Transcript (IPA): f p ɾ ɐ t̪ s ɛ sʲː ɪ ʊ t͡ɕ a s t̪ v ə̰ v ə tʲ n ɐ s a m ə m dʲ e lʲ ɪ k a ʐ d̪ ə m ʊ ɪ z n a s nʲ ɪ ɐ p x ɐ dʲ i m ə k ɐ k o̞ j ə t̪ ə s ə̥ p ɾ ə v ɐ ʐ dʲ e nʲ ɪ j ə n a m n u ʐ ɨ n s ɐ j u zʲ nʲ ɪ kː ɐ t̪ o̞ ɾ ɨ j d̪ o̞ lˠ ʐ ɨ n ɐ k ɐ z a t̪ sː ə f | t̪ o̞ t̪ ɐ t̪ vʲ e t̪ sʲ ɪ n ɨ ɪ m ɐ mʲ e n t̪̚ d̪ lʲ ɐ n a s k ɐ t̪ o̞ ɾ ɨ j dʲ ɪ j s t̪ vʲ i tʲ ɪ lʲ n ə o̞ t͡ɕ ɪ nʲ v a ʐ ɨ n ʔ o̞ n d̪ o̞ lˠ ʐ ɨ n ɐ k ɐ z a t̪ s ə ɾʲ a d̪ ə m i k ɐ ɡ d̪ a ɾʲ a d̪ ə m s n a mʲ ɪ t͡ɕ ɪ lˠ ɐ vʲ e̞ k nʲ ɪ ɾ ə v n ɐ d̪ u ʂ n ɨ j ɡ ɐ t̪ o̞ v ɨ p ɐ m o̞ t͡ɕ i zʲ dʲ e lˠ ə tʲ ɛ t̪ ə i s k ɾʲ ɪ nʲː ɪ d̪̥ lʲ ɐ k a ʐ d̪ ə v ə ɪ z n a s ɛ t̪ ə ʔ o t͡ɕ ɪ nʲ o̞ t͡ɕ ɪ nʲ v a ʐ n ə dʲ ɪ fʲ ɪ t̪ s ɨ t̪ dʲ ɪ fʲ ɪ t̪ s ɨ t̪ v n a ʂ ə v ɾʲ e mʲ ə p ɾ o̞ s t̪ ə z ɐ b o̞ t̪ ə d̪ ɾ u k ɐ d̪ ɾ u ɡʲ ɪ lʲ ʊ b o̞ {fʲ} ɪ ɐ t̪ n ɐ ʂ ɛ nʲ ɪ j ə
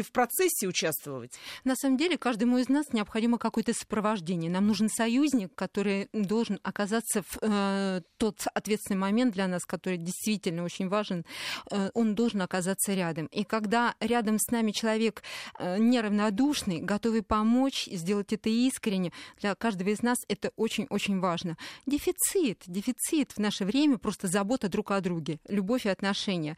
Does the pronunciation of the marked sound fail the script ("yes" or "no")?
no